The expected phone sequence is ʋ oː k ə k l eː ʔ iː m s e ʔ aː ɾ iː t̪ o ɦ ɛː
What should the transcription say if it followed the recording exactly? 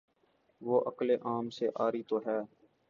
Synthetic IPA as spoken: ʋ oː ʔ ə k l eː ʔ aː m s e ʔ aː ɾ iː t̪ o ɦ ɛː